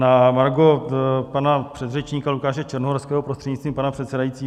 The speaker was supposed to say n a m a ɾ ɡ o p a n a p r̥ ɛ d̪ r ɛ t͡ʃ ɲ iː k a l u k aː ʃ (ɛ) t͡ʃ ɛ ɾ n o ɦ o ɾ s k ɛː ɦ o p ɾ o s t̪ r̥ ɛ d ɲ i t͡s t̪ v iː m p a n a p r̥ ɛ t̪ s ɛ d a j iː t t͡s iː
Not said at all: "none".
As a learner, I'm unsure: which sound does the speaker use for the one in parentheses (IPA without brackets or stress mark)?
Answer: ɛ